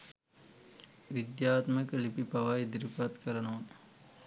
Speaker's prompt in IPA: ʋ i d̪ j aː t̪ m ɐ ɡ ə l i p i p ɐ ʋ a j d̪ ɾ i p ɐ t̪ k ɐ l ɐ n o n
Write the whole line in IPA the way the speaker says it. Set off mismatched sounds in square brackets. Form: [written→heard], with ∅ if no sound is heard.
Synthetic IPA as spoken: ʋ i d̪ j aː t̪ m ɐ [ɡ→k] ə l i p i p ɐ ʋ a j d̪ ɾ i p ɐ t̪ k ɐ [l→ɾ] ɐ n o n